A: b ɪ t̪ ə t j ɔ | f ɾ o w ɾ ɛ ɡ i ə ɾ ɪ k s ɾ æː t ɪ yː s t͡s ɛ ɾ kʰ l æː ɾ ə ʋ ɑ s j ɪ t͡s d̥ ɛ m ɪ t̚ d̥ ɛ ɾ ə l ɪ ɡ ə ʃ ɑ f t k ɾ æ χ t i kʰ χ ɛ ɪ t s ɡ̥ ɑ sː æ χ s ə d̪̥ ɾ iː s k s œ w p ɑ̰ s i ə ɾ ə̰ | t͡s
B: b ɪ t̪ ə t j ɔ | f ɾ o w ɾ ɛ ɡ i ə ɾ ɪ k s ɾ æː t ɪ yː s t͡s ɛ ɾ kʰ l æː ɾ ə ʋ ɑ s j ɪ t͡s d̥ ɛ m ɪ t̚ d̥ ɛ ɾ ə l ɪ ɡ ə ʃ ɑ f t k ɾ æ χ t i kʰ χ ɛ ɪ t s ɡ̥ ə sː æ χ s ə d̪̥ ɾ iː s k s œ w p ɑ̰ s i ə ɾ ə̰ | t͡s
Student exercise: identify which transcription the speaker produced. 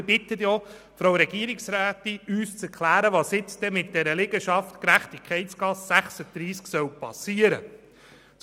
A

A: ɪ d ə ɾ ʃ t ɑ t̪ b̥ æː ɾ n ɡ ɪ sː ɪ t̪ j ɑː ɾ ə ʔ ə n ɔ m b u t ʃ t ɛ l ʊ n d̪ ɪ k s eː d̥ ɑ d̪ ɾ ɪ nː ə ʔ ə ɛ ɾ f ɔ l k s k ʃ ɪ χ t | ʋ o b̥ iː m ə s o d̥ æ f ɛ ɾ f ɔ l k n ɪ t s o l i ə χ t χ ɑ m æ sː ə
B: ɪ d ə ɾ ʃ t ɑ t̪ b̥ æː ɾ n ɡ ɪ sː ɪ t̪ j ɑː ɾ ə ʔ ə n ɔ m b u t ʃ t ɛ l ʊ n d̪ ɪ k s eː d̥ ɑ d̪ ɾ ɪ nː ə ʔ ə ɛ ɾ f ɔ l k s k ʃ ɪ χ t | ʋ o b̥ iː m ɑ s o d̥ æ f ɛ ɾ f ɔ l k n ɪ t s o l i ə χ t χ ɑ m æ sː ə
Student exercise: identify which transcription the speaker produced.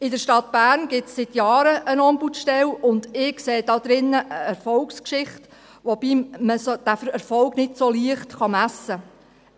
A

